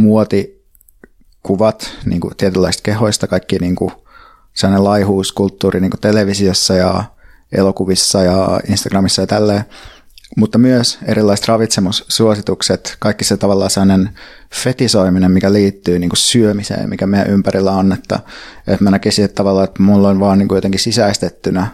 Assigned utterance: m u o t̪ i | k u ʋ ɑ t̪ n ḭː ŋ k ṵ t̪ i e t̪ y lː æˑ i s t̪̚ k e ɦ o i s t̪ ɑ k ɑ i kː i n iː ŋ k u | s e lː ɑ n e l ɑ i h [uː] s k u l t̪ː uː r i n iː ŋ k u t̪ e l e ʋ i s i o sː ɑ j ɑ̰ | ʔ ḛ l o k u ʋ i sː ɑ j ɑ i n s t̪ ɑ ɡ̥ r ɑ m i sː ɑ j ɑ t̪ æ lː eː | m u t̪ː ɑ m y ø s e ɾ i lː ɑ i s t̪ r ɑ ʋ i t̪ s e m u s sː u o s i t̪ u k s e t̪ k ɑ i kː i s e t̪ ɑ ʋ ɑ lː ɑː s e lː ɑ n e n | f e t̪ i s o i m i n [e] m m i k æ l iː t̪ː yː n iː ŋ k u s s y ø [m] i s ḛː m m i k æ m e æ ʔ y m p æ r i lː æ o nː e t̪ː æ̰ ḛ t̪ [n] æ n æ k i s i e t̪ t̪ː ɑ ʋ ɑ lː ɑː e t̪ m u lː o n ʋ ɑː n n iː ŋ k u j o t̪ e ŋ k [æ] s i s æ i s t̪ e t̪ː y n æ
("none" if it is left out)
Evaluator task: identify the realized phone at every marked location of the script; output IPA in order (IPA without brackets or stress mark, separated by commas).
uː, e, m, m, i